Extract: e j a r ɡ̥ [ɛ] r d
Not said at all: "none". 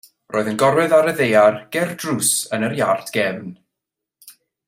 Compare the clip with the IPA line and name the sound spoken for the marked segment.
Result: ɛ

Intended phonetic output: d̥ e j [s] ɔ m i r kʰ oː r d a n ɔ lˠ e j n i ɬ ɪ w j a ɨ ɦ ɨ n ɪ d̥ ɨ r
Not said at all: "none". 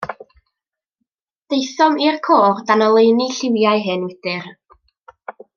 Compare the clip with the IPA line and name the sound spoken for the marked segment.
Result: θ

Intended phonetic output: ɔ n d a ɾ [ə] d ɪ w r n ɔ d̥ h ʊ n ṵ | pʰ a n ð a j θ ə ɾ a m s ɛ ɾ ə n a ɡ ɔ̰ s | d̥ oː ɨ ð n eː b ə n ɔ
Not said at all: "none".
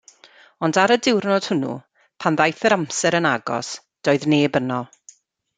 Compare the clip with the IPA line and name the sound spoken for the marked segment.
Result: ə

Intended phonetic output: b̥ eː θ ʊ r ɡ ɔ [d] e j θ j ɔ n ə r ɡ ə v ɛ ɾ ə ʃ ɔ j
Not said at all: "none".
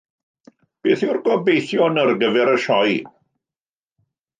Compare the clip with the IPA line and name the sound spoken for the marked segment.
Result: b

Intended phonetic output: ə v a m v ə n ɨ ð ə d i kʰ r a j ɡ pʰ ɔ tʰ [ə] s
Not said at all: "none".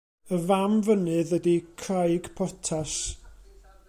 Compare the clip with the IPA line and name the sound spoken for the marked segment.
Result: a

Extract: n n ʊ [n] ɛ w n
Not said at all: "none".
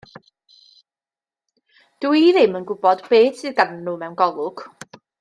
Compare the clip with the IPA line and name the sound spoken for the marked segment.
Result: m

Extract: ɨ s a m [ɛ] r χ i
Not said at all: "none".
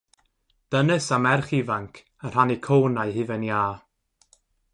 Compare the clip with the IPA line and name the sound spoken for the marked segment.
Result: ɛ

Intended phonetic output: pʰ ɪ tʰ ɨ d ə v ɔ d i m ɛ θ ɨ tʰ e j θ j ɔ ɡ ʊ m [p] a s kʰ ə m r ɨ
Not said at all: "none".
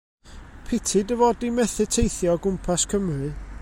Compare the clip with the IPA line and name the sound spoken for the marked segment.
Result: pʰ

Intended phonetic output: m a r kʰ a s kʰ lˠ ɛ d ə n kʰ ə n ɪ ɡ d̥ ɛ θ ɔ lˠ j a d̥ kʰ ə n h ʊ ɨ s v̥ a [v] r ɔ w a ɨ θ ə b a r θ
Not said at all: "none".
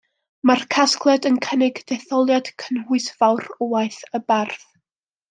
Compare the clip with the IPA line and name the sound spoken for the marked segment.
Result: w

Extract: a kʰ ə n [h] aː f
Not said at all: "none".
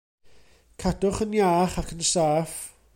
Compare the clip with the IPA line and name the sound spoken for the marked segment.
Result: s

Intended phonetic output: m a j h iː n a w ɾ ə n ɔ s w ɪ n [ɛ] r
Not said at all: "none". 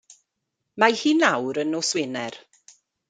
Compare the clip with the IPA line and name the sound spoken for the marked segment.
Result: ɛ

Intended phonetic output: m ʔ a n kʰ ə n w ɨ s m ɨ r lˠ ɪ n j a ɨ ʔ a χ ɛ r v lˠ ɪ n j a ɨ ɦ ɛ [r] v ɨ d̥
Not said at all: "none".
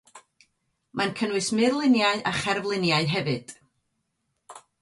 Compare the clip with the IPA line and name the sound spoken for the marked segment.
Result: none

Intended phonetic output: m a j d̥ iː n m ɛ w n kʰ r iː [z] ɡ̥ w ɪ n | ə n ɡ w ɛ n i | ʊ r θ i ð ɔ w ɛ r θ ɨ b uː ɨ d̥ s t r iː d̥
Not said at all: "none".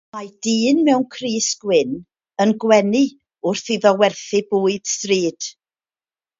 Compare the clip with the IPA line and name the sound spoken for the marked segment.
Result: s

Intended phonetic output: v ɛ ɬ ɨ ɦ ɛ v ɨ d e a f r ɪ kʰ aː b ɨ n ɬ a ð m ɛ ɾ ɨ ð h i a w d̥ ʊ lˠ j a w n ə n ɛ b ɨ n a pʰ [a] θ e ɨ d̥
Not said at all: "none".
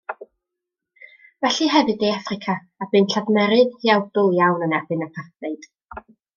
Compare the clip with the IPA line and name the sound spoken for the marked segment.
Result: a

